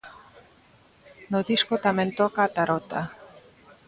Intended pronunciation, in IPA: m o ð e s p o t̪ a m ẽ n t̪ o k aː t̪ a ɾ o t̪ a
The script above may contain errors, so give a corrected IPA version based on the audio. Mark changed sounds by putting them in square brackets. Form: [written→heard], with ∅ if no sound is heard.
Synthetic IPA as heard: [m→n] o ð [e→i] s [p→k] o t̪ a m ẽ n t̪ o k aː t̪ a ɾ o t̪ a